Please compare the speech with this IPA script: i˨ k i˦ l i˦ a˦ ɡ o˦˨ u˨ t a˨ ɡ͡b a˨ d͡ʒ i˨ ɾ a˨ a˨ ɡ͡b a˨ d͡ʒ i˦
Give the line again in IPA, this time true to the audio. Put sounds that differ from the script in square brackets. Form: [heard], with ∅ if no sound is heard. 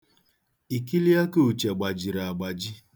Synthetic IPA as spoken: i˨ k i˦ l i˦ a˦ [k] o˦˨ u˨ [t͡ʃ] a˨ ɡ͡b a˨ d͡ʒ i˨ ɾ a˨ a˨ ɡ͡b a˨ d͡ʒ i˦